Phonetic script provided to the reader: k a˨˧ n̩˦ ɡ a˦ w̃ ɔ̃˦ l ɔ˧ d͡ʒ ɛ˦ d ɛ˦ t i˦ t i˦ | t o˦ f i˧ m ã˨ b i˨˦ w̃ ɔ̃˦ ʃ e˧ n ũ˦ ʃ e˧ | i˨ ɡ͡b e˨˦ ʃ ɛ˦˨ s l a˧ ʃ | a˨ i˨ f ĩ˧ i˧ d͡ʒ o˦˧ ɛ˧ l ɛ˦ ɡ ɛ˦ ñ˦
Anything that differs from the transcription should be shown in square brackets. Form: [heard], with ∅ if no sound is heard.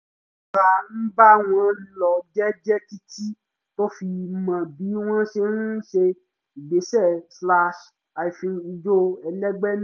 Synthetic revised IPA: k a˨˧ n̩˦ [b] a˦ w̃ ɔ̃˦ l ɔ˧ d͡ʒ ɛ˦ [d͡ʒ] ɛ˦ [k] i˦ t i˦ | t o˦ f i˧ m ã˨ b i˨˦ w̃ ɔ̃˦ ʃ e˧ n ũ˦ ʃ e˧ | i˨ ɡ͡b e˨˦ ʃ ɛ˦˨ s l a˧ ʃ | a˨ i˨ f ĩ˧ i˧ d͡ʒ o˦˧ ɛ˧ l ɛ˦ [ɡ͡b] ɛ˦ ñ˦